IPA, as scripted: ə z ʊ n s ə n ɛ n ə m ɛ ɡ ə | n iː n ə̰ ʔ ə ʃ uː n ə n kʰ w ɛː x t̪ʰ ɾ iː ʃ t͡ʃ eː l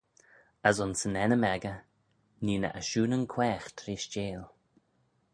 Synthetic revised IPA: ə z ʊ n s ə n ɛ n ə m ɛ ɡ ə | n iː n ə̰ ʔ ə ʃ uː n ə n kʰ w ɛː x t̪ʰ ɾ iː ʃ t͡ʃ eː l